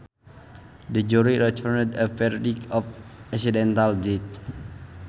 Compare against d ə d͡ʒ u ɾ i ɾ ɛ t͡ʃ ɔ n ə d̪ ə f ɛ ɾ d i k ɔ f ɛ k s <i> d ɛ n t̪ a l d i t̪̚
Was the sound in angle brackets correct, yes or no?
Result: yes